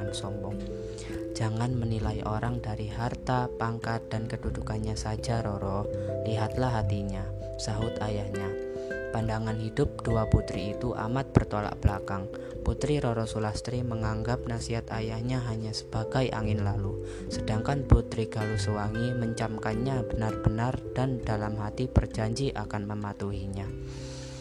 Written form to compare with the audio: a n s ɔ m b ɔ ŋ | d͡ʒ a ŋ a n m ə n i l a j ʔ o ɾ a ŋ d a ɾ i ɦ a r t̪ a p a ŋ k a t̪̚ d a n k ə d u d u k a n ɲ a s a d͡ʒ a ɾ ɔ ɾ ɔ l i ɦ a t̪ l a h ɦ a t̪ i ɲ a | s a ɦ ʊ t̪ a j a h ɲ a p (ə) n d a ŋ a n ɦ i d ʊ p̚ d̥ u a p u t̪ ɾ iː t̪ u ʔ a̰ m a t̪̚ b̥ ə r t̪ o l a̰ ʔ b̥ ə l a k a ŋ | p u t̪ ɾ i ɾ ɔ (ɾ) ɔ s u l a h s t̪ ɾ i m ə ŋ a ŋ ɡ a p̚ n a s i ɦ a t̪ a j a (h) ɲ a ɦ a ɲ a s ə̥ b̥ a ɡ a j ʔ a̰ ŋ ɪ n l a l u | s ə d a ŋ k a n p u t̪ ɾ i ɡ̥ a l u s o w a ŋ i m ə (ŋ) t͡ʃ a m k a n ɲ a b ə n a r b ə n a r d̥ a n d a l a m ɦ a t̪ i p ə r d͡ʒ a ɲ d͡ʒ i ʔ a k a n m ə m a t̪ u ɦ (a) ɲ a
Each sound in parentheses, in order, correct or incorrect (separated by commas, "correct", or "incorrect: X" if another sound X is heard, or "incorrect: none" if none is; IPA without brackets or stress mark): incorrect: a, correct, correct, incorrect: ɲ, incorrect: i